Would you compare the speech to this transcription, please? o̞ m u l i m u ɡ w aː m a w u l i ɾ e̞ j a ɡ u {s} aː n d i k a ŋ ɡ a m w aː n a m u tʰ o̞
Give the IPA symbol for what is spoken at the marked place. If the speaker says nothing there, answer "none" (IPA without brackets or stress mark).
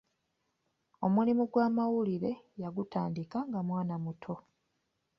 t